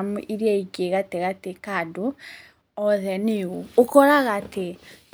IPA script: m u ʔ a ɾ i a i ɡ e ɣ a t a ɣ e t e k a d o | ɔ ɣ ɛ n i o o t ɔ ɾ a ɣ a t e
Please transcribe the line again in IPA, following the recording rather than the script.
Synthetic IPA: m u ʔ i ɾ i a i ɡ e ɣ a t e ɣ a t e k a d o | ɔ ð ɛ n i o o k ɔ ɾ a ɣ a t e